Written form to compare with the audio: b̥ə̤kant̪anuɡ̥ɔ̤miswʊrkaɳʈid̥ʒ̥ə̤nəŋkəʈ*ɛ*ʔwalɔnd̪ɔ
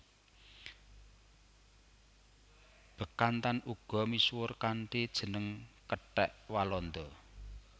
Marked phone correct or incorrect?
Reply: correct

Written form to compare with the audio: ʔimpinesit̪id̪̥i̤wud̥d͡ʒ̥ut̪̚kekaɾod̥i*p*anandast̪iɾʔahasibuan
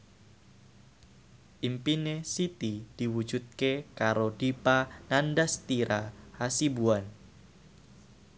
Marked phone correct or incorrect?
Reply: correct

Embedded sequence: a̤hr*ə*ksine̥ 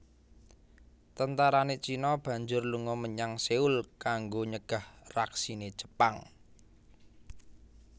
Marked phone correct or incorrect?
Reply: incorrect: a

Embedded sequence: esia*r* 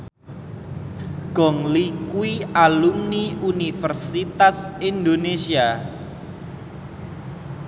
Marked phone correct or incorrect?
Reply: incorrect: none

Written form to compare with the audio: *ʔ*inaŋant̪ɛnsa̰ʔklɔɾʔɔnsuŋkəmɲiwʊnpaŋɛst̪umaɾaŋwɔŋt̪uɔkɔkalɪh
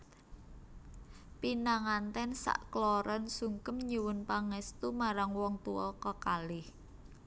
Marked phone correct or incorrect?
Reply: incorrect: p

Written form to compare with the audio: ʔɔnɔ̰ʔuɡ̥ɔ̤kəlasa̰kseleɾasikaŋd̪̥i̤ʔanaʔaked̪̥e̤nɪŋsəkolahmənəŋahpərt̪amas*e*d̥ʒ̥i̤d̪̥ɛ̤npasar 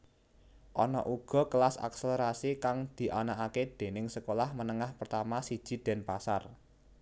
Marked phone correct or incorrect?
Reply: incorrect: i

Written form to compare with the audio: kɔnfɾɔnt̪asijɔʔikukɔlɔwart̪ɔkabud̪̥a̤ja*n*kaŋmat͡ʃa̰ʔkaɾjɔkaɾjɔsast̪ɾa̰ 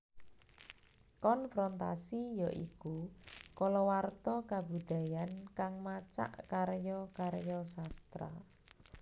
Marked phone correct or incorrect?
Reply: correct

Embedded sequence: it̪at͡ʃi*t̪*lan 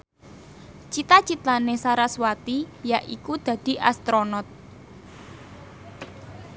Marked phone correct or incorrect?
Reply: correct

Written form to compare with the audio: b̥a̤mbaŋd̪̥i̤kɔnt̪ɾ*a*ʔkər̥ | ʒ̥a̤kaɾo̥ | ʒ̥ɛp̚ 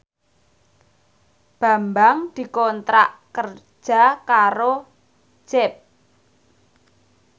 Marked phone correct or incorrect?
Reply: correct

